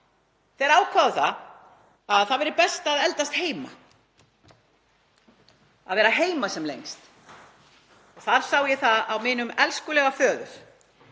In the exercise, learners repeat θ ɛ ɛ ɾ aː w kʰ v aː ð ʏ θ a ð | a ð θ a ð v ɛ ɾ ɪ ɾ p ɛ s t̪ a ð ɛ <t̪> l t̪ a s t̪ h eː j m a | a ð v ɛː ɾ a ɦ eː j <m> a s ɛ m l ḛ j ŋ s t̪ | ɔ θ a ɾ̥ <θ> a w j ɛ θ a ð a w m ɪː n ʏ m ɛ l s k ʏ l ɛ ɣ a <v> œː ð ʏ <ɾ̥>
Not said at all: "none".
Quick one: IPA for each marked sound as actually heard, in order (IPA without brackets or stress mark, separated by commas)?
none, m, s, f, ɾ̥